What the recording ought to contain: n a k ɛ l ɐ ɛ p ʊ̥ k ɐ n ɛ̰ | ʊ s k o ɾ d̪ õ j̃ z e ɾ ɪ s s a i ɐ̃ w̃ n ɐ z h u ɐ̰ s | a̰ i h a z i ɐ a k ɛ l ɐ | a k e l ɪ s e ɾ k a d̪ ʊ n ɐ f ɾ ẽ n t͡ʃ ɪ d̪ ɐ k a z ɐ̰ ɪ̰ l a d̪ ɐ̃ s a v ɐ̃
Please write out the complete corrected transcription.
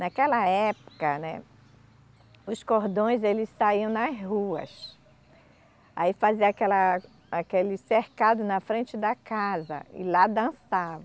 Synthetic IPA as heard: n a k ɛ l ɐ ɛ p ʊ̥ k ɐ n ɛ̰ | ʊ s k o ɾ d̪ õ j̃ z e l ɪ s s a i ɐ̃ w̃ n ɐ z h u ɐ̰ s | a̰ i f a z i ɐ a k ɛ l ɐ | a k e l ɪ s e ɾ k a d̪ ʊ n ɐ f ɾ ẽ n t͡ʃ ɪ d̪ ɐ k a z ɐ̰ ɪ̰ l a d̪ ɐ̃ s a v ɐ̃